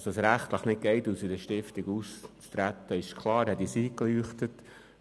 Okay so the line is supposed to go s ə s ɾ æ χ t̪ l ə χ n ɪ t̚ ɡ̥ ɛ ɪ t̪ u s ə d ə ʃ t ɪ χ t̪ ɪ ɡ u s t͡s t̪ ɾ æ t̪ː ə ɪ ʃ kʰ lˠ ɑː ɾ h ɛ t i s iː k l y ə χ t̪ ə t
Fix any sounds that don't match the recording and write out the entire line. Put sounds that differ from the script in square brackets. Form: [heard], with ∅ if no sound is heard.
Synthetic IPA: s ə s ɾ æ χ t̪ l ə χ n ɪ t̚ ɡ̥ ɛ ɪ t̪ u s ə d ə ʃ t ɪ [f] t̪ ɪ ɡ u s t͡s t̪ ɾ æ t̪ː ə ɪ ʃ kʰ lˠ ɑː ɾ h ɛ t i s iː k l y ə χ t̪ ə t